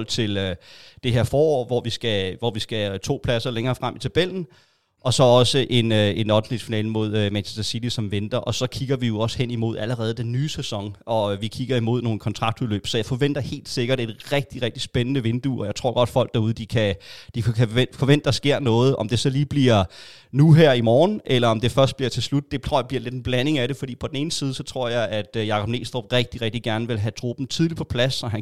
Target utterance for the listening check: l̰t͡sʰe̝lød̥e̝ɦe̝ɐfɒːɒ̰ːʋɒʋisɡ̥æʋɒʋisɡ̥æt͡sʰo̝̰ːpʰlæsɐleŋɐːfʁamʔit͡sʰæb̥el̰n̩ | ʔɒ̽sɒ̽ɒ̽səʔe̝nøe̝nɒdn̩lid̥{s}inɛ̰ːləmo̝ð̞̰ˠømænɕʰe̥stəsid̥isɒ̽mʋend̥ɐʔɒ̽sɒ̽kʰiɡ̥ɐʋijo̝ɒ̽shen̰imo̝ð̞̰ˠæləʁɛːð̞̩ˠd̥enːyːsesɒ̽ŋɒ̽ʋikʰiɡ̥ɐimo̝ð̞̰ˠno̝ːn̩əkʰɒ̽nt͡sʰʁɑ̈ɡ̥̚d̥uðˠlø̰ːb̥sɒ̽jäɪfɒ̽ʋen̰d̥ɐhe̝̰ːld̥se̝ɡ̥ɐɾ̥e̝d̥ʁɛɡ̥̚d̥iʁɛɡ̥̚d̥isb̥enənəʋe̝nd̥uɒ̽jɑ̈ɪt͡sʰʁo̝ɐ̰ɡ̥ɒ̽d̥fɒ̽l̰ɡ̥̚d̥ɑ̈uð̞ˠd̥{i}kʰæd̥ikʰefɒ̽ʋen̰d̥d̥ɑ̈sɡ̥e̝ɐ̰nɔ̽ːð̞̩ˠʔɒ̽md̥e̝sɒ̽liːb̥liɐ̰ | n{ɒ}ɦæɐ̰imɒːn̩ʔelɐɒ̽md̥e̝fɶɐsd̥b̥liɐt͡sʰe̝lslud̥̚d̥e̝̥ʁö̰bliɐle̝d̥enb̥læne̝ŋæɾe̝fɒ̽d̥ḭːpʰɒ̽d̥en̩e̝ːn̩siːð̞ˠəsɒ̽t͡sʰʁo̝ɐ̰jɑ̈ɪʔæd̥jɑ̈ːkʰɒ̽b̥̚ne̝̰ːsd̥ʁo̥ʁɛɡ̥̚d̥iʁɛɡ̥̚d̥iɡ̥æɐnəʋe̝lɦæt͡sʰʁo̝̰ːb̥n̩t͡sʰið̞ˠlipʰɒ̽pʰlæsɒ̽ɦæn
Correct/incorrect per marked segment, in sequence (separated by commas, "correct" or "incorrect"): incorrect, correct, incorrect